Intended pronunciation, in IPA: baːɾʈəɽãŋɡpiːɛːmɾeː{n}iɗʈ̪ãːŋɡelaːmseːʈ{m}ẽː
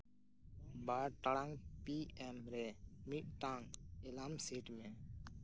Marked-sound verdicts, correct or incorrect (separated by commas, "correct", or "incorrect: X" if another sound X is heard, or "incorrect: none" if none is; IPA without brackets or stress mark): incorrect: m, correct